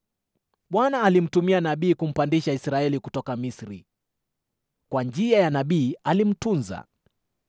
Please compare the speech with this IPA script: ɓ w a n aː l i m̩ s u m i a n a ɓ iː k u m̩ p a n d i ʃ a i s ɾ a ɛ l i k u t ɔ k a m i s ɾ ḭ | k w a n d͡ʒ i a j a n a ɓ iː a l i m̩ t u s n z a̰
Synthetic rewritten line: ɓ w a n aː l i m̩ t u m i a n a ɓ iː k u m̩ p a n d i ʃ a i s ɾ a ɛ l i k u t ɔ k a m i s ɾ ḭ | k w a n d͡ʒ i a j a n a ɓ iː a l i m̩ t u n z a̰